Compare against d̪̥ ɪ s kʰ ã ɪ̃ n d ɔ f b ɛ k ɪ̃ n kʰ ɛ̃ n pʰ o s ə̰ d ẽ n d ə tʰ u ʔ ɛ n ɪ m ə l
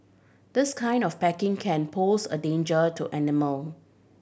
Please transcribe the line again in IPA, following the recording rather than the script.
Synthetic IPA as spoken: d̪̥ ɪ s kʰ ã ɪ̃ n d ɔ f p ɛ k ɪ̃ ŋ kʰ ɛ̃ n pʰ o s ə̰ d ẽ n d͡ʒ ə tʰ u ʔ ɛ n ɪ m ə l